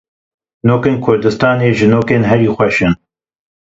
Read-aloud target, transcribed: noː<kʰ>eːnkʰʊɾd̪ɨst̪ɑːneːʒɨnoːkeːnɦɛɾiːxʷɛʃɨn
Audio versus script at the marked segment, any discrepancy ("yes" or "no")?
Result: yes